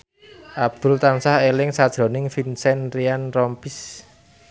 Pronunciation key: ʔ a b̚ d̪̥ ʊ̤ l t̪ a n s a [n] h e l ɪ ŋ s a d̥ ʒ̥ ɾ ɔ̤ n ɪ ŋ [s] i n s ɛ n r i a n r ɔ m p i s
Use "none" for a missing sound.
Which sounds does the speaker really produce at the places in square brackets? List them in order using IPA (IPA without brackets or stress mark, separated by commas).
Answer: none, f